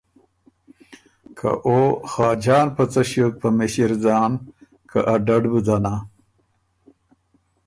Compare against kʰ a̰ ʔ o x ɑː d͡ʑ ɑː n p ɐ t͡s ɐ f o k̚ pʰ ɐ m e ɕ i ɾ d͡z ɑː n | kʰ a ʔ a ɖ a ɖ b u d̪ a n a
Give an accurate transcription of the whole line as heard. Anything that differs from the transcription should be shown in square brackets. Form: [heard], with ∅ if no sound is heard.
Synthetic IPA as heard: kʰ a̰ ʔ o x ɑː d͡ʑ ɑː n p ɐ t͡s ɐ [ɕ] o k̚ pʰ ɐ m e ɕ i ɾ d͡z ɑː n | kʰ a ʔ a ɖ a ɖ b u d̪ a n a

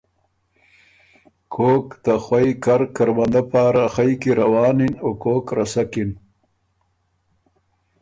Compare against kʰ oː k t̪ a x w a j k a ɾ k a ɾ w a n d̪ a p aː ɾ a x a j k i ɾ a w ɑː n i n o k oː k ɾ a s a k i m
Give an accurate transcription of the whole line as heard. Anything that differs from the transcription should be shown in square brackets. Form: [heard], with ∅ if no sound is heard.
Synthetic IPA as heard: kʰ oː k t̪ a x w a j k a ɾ k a ɾ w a n d̪ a p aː ɾ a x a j k i ɾ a w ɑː n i n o k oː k ɾ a s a k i [n]

